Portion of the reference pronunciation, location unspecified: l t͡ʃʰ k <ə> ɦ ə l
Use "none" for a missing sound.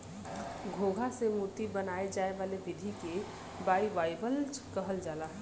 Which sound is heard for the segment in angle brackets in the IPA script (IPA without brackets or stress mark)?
ə